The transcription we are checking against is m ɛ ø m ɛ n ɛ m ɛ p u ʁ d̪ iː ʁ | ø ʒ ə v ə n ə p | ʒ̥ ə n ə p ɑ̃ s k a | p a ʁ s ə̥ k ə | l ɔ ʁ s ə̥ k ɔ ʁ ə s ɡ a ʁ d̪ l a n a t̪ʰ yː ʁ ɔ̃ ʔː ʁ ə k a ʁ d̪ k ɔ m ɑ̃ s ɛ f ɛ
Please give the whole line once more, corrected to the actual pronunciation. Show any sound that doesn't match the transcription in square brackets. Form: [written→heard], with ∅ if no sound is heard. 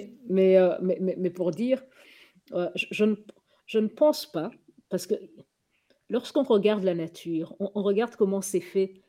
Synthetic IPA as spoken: m ɛ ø m ɛ [n→m] ɛ m ɛ p u ʁ d̪ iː ʁ | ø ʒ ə [v→ʒ] ə n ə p | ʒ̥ ə n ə p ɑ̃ s [k→p] a | p a ʁ s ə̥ k ə | l ɔ ʁ s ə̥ k [ɔ→ɔ̃] ʁ ə [s→∅] ɡ a ʁ d̪ l a n a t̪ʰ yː ʁ ɔ̃ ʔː ʁ ə [k→ɡ] a ʁ d̪ k ɔ m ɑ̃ s ɛ f ɛ